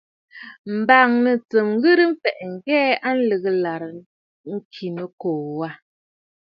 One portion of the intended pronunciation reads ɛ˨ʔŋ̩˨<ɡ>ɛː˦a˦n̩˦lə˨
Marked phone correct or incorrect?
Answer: correct